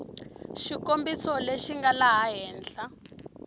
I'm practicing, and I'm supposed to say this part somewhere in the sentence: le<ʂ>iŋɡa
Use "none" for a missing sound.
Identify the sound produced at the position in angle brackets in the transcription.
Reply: ʃ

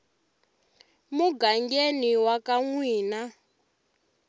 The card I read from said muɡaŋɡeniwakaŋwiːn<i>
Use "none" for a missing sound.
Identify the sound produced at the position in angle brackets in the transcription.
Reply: a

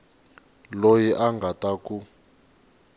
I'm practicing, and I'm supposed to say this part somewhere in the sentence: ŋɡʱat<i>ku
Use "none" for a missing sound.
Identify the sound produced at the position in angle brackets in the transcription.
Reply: a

